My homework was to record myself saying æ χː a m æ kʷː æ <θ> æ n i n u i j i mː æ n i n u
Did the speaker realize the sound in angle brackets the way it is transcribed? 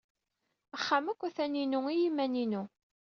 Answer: yes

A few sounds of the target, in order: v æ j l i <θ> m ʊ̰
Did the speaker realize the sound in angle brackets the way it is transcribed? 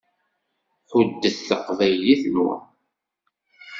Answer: yes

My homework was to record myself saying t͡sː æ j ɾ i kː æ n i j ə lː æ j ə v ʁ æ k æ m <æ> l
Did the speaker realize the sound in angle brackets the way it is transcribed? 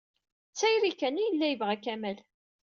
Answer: yes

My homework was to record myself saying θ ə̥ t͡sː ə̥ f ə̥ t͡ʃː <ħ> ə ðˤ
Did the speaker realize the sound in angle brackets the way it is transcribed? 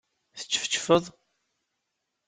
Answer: no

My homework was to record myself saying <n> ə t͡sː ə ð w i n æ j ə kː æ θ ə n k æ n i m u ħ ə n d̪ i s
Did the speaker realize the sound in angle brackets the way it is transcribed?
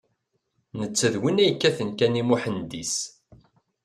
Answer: yes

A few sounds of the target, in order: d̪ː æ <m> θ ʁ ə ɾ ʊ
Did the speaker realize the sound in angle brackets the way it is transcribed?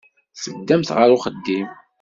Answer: yes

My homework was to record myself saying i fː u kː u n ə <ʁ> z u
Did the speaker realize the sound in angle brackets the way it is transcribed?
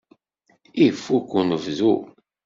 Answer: no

